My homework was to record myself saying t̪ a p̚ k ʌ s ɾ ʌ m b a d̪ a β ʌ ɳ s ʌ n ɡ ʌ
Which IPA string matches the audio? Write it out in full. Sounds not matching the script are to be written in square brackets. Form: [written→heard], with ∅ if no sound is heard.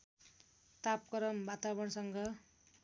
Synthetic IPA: t̪ a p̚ k ʌ [s→∅] ɾ ʌ m b a [d̪→t̪] a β ʌ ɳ s ʌ [n→ŋ] ɡ ʌ

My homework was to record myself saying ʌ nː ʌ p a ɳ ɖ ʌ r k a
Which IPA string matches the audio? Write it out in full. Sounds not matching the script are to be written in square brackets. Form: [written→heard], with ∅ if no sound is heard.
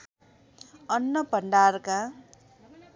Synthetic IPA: ʌ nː ʌ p [a→ʌ] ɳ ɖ [ʌ→a] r k a

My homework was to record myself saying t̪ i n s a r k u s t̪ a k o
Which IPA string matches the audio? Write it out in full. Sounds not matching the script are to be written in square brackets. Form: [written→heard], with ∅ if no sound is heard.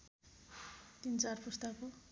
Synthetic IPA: t̪ i n [s→t͡s] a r [k→p] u s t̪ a k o

